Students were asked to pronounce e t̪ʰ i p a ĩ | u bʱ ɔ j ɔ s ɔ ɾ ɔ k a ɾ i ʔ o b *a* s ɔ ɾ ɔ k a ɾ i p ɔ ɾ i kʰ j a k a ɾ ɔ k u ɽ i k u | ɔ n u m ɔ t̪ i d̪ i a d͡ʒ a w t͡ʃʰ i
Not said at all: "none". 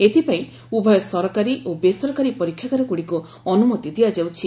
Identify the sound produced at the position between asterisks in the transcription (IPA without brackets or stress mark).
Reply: e